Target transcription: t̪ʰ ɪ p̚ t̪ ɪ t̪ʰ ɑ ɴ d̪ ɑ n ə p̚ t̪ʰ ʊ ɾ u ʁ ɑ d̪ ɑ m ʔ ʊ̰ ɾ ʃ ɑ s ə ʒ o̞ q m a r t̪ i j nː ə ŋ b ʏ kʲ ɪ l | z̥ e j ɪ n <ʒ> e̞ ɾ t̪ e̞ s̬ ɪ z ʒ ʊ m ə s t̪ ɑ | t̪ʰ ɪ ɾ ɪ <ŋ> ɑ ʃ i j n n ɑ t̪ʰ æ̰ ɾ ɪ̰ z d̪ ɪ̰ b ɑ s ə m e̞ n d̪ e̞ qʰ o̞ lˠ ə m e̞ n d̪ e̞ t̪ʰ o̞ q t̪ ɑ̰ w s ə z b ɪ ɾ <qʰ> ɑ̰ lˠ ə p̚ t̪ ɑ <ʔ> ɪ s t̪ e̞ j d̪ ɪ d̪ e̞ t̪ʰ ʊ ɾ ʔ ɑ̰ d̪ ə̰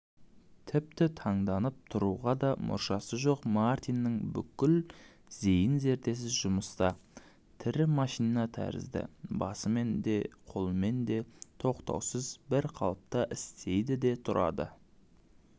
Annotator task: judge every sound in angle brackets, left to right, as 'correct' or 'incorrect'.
incorrect: z, incorrect: m, correct, correct

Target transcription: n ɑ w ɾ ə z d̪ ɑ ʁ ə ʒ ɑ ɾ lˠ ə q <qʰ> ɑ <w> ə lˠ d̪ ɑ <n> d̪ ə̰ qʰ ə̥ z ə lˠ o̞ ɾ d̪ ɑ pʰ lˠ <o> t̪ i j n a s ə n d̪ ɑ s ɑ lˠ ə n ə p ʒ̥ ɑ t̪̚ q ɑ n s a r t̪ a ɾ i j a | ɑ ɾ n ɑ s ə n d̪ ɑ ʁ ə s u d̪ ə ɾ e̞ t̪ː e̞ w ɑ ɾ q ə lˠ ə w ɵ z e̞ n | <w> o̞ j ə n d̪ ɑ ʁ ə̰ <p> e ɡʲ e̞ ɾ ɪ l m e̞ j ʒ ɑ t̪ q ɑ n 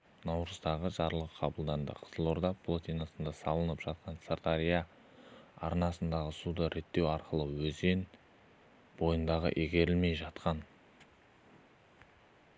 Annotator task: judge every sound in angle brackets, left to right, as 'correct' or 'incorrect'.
correct, incorrect: b, correct, correct, incorrect: b, incorrect: ʔ

